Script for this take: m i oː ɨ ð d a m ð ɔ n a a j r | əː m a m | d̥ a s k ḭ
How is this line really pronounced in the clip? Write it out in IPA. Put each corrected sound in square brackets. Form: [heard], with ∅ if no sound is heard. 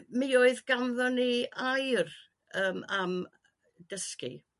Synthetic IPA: m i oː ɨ ð [ɡ] a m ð ɔ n [i] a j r | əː m a m | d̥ [ə] s k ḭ